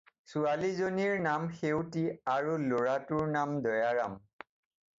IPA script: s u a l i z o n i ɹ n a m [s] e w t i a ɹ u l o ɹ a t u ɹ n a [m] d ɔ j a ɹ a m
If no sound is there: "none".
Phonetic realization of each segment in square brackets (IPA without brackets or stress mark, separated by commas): x, m